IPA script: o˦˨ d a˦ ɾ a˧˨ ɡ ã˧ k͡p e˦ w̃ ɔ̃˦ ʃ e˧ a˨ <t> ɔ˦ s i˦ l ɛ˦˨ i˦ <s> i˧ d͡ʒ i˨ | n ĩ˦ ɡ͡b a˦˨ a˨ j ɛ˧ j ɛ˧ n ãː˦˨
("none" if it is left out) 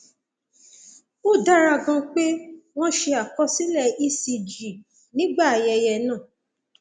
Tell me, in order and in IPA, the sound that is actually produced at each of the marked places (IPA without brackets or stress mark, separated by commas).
k, s